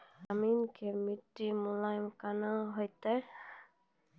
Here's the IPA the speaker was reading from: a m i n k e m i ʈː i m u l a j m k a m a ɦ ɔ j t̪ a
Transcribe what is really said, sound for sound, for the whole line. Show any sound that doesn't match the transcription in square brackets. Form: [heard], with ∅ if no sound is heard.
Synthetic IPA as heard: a m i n k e m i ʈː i m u l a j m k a [n] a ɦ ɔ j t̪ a